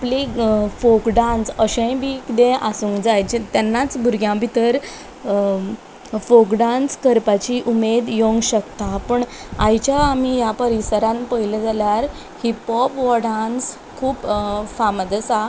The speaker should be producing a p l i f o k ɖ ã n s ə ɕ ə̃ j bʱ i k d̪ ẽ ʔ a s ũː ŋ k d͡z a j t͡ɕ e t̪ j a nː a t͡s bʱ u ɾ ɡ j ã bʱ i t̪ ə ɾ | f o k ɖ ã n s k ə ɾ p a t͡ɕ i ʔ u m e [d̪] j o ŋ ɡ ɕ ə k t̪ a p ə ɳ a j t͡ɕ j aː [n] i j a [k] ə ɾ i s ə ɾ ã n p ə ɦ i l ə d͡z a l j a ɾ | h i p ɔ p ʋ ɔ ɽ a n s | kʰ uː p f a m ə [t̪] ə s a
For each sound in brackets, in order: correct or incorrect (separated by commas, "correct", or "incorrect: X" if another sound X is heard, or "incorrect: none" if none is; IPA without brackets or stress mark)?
correct, incorrect: m, incorrect: p, incorrect: d̪